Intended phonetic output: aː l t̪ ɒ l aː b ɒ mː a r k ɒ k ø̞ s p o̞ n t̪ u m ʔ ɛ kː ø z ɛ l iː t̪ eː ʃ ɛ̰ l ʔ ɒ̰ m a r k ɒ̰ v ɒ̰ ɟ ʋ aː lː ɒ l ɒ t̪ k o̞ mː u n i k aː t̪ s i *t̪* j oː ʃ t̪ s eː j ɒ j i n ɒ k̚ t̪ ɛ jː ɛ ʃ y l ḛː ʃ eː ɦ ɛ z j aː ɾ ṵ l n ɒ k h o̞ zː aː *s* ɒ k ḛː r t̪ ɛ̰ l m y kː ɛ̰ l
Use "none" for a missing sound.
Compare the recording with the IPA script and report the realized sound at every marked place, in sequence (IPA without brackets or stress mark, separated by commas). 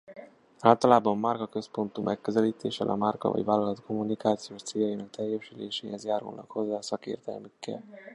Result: none, s